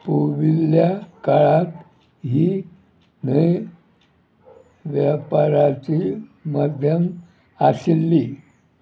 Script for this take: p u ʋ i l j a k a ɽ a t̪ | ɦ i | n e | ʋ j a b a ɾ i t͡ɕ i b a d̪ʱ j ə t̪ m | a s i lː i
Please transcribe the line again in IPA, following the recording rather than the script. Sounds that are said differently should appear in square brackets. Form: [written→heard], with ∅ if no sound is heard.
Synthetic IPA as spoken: p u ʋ i l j a k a [ɽ→ɭ] a t̪ | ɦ i | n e | ʋ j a [b→p] a ɾ [i→a] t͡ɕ i [b→m] a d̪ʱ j ə [t̪→∅] m | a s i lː i